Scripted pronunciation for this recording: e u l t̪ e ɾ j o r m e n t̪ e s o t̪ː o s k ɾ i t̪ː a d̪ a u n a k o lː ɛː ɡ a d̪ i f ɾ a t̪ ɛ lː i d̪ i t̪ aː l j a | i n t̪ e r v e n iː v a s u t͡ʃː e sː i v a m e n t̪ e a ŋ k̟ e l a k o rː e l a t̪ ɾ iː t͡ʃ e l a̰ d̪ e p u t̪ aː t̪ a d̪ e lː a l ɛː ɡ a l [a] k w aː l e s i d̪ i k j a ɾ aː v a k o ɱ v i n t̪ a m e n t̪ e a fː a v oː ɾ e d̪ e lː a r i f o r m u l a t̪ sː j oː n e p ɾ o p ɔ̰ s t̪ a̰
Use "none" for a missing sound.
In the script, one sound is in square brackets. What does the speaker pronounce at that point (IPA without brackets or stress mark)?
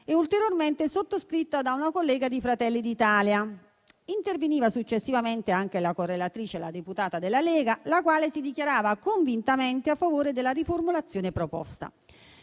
a